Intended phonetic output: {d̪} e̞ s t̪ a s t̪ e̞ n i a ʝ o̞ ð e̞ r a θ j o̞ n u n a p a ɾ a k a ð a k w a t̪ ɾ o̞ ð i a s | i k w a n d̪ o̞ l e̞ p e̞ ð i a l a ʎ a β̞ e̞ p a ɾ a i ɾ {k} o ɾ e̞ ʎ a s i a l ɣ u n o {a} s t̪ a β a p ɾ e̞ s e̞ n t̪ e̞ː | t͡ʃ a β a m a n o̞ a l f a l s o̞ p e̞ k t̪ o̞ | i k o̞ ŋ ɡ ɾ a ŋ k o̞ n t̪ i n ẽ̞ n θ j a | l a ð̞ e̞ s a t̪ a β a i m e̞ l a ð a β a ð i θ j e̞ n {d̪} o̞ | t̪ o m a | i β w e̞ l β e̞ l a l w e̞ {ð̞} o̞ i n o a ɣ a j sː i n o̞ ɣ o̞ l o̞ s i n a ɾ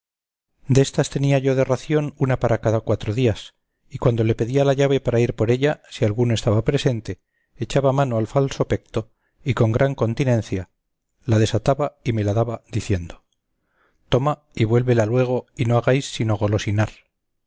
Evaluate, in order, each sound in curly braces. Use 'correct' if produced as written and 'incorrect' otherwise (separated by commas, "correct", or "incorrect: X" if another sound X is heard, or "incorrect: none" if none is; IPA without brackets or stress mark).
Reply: correct, incorrect: p, incorrect: e, correct, incorrect: ɣ̞